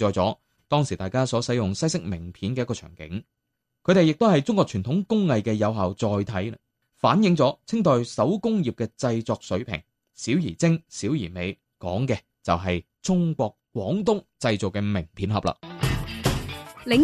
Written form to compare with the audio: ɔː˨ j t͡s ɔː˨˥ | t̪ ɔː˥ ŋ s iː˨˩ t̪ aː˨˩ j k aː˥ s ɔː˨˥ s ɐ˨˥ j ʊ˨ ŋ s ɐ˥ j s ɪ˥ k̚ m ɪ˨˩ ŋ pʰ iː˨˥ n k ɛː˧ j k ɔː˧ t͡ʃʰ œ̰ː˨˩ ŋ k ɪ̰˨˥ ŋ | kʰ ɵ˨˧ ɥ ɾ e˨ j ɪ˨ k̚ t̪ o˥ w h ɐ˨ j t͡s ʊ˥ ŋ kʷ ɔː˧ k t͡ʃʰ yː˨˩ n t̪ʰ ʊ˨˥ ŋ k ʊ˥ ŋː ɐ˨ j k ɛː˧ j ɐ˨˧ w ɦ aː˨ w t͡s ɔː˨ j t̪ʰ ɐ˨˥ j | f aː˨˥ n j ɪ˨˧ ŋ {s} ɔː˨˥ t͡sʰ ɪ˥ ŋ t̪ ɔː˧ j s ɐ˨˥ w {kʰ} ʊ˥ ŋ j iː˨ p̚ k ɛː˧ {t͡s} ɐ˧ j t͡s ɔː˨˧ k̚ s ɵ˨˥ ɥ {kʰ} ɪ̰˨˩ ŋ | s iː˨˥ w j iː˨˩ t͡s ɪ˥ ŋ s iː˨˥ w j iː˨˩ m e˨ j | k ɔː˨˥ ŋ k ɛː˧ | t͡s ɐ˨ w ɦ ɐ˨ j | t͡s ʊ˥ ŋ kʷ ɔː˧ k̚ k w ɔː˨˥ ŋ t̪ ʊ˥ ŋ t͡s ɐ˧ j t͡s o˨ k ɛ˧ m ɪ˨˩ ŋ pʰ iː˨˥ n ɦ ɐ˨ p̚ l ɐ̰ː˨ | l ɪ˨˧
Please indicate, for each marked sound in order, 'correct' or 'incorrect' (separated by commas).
incorrect, incorrect, correct, incorrect